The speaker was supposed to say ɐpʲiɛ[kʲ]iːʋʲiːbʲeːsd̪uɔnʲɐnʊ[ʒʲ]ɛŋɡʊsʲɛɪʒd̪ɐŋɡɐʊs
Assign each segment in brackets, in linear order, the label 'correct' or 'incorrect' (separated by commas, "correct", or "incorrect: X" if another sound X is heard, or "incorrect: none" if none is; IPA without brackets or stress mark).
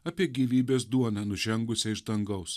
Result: incorrect: ɡʲ, correct